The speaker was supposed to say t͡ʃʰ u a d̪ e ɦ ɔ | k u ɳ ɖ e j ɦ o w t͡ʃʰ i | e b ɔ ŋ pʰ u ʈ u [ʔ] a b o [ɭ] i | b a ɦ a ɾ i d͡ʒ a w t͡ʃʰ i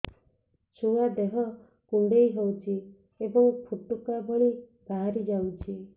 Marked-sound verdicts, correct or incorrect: incorrect, correct

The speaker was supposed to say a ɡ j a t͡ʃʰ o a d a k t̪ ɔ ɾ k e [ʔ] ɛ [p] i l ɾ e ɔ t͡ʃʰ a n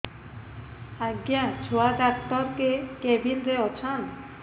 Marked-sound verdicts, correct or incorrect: incorrect, incorrect

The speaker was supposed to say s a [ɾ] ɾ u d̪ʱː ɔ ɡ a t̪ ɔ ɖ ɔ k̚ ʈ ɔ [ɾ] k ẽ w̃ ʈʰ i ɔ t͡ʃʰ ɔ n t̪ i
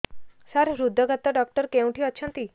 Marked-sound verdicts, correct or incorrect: correct, correct

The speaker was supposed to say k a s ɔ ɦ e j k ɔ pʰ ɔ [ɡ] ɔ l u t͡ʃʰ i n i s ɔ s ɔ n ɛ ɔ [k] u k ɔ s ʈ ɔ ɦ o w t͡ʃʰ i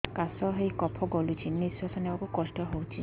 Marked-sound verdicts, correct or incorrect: correct, correct

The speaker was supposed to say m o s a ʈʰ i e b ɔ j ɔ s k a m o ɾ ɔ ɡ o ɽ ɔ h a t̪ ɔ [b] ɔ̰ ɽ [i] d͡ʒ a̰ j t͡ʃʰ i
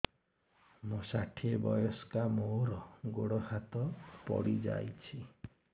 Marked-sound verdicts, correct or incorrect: incorrect, correct

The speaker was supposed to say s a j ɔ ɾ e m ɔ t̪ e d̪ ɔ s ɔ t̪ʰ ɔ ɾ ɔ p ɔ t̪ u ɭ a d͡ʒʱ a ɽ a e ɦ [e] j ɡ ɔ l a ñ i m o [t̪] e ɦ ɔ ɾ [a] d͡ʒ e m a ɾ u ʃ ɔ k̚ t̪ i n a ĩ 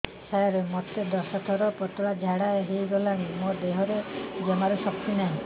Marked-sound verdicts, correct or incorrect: correct, incorrect, incorrect

